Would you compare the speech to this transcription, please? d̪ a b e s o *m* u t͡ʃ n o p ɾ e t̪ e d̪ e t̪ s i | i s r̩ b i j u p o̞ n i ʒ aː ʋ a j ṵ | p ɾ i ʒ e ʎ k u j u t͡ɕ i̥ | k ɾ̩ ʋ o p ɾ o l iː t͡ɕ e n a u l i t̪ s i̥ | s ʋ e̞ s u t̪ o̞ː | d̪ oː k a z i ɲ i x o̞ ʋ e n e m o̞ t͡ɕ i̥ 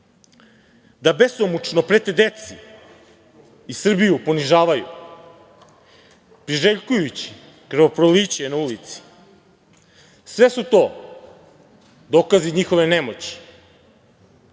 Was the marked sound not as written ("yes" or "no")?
no